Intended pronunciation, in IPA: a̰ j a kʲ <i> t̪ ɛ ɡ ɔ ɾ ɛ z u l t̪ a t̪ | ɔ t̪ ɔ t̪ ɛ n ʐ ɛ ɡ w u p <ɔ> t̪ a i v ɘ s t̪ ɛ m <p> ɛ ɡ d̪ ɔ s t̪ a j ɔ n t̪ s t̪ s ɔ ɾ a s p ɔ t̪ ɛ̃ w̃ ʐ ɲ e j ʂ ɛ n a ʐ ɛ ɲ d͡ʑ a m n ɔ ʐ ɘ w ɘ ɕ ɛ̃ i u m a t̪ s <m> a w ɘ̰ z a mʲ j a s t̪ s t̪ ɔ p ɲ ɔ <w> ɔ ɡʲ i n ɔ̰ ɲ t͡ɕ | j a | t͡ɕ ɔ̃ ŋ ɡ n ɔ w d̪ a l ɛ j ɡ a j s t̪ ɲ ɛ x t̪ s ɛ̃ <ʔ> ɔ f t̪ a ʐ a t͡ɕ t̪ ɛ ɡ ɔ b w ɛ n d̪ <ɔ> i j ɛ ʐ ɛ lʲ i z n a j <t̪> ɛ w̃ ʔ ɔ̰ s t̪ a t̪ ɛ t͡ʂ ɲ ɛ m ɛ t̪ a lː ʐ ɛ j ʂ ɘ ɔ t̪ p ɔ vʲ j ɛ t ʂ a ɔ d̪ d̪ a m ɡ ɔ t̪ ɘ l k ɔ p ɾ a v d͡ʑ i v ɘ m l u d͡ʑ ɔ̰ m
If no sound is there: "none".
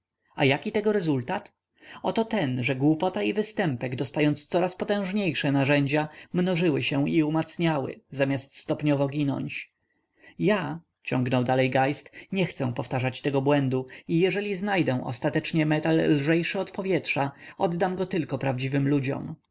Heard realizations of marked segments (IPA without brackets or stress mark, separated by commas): i, ɔ, p, ɲ, v, p, u, d̪